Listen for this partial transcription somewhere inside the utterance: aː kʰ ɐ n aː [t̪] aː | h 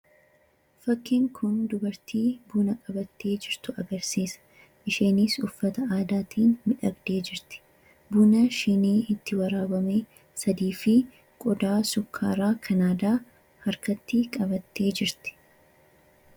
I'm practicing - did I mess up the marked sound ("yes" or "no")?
yes